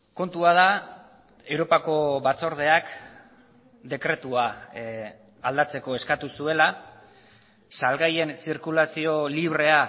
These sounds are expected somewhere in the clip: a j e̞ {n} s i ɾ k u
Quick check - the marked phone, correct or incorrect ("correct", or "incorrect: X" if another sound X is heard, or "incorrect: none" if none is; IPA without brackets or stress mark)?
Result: correct